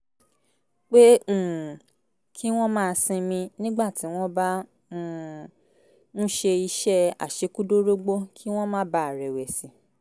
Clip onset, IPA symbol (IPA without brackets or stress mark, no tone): k͡p